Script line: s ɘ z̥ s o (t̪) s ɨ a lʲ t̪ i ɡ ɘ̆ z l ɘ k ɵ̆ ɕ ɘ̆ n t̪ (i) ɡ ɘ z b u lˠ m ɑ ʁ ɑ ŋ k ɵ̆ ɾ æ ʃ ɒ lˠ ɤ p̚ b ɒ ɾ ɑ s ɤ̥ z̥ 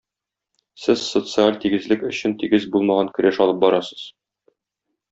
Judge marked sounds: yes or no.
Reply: yes, yes

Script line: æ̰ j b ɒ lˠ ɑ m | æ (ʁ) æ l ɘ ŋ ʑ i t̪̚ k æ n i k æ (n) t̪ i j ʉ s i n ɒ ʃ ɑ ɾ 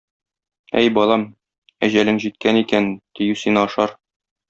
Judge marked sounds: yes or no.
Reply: no, yes

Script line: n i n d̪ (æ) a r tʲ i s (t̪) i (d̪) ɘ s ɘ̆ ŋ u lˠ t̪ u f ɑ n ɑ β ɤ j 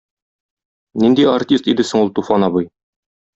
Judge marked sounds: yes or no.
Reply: no, yes, yes

